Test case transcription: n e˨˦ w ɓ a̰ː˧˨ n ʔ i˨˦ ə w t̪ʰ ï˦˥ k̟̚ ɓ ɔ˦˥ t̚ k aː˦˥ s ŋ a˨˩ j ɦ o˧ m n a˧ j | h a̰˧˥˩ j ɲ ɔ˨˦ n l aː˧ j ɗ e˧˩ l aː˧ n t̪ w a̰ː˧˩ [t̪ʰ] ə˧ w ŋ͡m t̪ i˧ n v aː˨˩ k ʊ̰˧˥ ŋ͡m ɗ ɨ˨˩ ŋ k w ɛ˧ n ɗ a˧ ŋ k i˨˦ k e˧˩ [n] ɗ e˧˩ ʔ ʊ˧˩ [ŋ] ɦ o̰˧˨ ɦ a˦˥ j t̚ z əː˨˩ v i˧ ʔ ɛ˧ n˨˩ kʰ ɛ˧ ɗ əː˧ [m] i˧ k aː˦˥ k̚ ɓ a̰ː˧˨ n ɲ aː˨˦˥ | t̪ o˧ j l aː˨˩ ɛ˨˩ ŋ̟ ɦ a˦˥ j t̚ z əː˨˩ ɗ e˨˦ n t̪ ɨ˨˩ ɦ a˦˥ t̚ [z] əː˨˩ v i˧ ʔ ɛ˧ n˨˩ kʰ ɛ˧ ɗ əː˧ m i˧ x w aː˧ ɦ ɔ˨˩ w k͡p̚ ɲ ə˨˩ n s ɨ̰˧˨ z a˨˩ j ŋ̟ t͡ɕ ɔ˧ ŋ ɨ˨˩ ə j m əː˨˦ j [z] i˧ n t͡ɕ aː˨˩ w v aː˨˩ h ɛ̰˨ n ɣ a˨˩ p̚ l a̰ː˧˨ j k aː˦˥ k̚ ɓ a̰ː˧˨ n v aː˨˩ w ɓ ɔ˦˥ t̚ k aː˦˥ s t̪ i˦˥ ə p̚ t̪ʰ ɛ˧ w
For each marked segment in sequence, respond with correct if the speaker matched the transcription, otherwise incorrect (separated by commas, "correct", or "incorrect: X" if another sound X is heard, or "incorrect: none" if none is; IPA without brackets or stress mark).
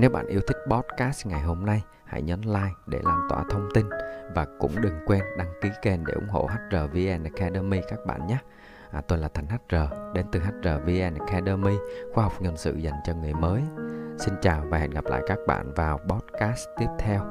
correct, correct, incorrect: ŋ͡m, correct, correct, incorrect: s